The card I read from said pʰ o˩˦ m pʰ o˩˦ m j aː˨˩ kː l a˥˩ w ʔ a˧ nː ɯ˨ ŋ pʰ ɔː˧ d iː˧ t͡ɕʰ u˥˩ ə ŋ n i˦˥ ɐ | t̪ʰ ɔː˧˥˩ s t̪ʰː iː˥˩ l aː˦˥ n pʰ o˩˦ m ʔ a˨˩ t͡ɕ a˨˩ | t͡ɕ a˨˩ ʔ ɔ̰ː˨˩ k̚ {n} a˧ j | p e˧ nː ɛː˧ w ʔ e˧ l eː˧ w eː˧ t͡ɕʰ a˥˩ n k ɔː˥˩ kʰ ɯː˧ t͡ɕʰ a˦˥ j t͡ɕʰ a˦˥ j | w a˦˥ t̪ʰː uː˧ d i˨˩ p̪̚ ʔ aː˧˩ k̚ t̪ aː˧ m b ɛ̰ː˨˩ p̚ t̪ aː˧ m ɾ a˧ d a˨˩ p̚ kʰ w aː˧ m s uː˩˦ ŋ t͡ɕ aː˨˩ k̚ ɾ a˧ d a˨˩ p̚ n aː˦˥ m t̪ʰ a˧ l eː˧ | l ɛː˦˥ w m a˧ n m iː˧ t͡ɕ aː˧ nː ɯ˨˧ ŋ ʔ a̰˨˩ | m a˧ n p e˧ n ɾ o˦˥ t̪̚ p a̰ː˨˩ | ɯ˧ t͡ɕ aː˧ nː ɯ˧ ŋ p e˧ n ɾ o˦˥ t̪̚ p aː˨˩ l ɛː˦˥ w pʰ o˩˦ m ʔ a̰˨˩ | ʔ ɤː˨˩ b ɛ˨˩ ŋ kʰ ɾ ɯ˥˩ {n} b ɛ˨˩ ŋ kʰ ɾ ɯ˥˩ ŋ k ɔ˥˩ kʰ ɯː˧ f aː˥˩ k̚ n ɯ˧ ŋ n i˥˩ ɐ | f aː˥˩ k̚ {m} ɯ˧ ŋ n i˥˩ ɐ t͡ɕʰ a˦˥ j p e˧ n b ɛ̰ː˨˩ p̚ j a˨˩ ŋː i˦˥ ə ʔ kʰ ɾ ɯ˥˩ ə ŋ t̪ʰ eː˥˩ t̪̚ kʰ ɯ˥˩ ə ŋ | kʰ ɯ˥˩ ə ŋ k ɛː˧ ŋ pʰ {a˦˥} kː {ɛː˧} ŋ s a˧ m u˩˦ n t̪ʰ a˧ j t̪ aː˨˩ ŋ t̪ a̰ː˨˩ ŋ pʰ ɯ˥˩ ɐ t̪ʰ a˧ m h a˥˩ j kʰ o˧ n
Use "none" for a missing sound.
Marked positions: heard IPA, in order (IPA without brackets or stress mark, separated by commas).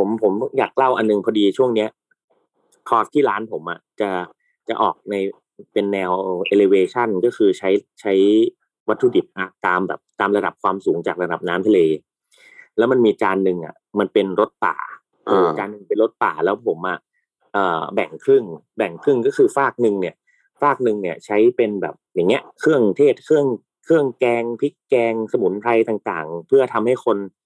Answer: n, ŋ, n, i˦˥, ɛː˧